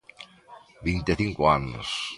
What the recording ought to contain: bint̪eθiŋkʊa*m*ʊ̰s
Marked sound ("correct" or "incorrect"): incorrect